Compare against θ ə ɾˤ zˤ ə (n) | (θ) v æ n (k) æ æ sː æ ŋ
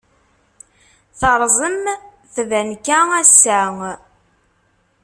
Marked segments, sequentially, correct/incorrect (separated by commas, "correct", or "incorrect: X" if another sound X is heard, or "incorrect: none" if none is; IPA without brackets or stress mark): incorrect: m, correct, correct